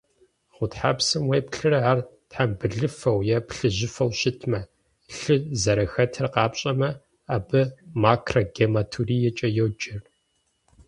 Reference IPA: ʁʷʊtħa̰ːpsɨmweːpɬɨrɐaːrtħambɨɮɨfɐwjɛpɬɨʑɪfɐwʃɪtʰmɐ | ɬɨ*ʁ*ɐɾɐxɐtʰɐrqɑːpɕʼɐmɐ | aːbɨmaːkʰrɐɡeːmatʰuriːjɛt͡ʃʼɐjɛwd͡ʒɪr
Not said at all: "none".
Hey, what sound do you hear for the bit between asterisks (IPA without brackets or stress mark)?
z